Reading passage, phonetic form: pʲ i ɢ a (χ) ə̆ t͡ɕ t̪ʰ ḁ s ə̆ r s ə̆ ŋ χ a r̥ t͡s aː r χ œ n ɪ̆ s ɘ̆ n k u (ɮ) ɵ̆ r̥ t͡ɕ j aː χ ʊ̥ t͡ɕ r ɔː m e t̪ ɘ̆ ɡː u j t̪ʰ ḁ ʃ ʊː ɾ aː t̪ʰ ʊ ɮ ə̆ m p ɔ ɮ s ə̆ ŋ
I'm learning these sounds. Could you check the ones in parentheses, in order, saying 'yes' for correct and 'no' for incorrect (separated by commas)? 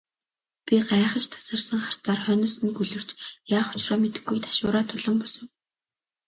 yes, yes